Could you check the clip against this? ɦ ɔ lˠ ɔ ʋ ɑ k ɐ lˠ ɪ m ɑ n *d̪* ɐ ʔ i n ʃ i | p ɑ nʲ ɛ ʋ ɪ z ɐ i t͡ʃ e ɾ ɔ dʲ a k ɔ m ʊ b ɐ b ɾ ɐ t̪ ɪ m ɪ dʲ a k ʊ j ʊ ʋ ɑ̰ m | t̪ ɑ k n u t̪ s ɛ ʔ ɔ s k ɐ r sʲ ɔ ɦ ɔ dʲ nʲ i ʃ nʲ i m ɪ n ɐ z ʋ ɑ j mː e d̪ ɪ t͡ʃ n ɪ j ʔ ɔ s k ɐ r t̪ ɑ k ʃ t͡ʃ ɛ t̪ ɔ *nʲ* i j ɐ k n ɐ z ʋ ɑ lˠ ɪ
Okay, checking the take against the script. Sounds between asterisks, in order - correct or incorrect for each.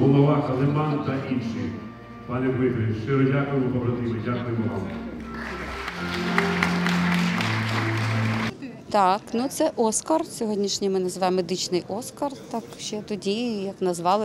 incorrect, incorrect

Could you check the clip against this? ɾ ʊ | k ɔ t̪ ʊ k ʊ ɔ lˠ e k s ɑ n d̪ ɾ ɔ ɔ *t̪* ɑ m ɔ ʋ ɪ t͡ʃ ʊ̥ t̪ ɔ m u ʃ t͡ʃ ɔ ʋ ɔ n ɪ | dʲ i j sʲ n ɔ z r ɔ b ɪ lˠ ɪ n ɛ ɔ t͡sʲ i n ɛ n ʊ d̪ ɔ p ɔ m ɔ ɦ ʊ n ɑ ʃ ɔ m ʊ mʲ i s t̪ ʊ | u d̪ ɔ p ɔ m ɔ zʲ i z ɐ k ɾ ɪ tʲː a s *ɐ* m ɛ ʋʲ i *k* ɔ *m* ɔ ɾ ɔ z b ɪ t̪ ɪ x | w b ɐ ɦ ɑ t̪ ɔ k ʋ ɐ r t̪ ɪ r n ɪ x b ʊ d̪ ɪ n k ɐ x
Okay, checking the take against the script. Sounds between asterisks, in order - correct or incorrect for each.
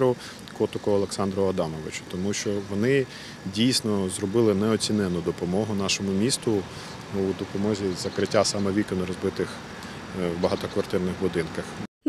incorrect, incorrect, correct, incorrect

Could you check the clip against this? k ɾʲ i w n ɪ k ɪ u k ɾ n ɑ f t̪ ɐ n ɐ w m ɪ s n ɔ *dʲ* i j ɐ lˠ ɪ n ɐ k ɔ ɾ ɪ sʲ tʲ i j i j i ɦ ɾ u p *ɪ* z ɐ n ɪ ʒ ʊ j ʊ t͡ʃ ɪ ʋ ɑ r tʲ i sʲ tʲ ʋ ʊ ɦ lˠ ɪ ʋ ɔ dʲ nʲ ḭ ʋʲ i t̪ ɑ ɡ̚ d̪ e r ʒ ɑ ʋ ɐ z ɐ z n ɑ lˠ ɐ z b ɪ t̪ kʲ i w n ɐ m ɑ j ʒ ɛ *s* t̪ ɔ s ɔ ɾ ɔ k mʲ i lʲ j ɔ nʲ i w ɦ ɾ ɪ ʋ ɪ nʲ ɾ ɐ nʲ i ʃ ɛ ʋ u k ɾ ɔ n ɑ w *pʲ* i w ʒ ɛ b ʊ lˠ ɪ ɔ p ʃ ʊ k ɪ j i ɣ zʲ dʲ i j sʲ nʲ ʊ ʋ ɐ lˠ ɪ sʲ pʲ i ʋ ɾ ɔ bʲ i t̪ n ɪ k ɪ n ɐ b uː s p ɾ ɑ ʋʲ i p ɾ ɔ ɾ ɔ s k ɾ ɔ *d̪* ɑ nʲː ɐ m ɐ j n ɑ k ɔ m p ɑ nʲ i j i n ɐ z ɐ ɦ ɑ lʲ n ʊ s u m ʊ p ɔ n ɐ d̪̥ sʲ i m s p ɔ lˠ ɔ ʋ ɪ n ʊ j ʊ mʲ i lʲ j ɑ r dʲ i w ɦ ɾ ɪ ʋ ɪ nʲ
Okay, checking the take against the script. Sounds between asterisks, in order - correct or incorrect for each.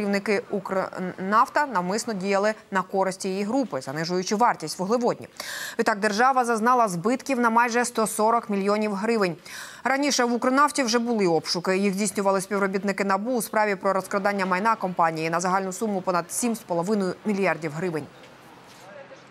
correct, correct, correct, incorrect, correct

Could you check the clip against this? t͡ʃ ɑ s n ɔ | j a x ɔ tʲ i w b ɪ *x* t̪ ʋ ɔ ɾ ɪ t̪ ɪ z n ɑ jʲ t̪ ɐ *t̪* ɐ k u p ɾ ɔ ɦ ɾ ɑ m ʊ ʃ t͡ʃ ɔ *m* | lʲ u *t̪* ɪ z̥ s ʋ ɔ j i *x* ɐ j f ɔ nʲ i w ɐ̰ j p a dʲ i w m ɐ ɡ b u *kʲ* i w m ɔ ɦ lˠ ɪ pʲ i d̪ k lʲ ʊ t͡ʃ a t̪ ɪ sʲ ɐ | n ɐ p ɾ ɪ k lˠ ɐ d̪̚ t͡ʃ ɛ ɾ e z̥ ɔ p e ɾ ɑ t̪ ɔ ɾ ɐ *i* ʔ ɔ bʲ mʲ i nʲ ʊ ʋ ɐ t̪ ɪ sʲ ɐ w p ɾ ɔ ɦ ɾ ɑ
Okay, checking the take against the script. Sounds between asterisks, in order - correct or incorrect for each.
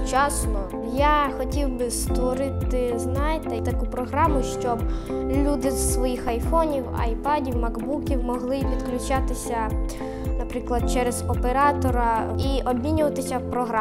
incorrect, correct, incorrect, incorrect, correct, correct, correct

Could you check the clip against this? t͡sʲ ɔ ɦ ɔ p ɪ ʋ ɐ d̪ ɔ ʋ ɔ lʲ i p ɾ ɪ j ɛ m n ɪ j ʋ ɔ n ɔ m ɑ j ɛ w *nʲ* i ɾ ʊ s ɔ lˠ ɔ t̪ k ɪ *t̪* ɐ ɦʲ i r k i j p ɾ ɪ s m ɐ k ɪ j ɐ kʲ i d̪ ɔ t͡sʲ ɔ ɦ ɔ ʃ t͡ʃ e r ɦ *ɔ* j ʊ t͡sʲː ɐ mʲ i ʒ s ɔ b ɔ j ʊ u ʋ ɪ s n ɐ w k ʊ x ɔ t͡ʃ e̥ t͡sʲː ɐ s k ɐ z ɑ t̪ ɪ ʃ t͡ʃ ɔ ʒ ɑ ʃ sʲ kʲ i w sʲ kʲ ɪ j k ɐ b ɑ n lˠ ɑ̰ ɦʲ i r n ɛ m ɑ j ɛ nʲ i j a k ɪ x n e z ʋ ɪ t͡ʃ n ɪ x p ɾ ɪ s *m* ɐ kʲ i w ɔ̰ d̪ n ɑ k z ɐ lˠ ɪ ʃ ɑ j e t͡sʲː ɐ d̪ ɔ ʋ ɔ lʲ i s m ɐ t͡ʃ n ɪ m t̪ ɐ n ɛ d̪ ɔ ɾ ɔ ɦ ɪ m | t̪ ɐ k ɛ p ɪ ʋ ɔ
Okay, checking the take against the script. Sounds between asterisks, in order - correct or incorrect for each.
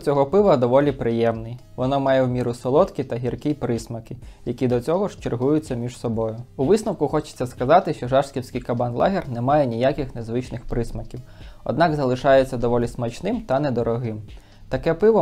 incorrect, correct, incorrect, correct

